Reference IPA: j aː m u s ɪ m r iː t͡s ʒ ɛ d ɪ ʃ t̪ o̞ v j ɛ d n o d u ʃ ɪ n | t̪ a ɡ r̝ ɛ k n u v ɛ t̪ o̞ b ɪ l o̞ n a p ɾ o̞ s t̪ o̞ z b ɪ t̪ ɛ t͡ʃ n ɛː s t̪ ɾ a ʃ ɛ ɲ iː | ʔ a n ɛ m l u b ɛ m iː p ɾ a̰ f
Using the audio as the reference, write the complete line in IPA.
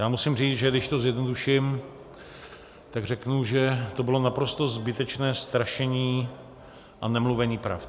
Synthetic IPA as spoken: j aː m u s ɪ m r iː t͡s ʒ ɛ d ɪ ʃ t̪ o̞ z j ɛ d n o d u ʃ ɪ m | t̪ a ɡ r̝ ɛ k n u ʒ ɛ t̪ o̞ b ɪ l o̞ n a p ɾ o̞ s t̪ o̞ z b ɪ t̪ ɛ t͡ʃ n ɛː s t̪ ɾ a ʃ ɛ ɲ iː | ʔ a n ɛ m l u v ɛ ɲ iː p ɾ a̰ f